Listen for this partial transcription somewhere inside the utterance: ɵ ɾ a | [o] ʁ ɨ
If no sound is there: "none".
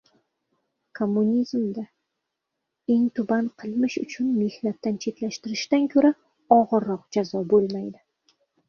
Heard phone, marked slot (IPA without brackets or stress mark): ɒ